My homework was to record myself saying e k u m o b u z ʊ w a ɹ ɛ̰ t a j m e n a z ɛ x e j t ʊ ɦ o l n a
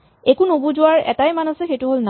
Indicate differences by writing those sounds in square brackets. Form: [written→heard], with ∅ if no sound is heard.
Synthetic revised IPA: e k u [m→n] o b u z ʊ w a ɹ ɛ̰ t a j m [e→a] n a [z→s] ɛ x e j t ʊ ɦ o l n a